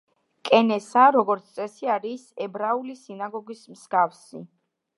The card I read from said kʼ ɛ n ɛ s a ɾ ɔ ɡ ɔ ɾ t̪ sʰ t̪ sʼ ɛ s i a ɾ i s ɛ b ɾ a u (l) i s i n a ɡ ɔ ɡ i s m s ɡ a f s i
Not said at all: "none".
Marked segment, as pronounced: l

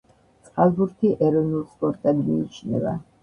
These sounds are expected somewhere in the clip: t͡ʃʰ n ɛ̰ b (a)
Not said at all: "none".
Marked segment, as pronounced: a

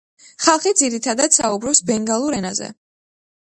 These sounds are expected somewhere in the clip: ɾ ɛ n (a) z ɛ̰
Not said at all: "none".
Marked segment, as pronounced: a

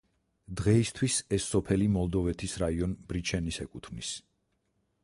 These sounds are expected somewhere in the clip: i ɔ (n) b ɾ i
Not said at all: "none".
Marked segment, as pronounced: n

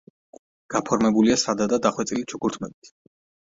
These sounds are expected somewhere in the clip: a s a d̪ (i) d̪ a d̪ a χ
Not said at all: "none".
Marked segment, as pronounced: a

